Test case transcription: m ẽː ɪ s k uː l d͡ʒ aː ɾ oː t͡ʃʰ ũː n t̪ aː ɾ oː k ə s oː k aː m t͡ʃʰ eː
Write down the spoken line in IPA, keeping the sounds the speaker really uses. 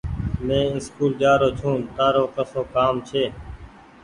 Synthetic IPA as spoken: m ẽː ɪ s k uː l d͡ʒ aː ɾ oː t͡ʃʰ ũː n t̪ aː ɾ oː k ə s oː k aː m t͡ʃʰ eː